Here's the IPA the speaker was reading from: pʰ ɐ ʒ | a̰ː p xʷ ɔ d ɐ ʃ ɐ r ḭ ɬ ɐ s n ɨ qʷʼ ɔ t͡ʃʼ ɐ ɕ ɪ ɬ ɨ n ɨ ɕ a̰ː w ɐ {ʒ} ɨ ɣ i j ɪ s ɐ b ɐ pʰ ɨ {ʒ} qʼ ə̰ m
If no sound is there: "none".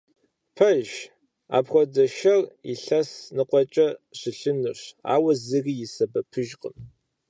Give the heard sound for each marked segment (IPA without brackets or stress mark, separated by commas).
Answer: z, ʒ